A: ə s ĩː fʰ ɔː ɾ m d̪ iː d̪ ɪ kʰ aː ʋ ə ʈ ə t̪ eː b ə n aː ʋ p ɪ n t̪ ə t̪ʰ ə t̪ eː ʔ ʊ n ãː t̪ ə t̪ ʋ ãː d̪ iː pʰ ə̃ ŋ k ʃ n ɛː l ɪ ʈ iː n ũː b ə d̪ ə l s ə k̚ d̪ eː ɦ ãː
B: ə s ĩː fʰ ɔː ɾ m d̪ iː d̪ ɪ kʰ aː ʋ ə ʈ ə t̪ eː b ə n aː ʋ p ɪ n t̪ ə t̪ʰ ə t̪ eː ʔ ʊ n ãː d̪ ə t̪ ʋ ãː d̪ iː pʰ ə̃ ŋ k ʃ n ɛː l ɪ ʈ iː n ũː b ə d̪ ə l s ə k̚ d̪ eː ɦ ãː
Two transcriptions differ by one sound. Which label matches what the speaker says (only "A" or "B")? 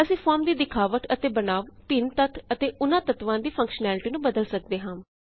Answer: A